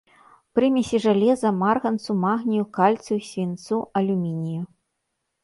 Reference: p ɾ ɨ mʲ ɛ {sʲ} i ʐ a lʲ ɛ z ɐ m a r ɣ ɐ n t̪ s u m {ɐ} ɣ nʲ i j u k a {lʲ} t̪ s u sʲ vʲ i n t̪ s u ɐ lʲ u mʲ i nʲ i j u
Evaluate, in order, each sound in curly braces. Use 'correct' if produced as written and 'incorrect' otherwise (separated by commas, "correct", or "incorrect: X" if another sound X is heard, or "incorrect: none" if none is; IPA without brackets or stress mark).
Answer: correct, incorrect: a, correct